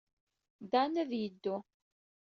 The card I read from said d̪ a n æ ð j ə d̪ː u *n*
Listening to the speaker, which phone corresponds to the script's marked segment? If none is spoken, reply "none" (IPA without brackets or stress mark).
none